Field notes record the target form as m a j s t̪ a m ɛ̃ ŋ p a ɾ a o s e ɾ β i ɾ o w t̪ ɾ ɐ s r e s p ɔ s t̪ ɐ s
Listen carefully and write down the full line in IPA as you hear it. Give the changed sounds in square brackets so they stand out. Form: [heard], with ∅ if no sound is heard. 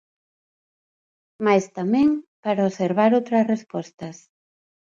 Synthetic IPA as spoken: m a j s t̪ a m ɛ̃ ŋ p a ɾ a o s e ɾ β [a] ɾ o w t̪ ɾ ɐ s r e s p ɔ s t̪ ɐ s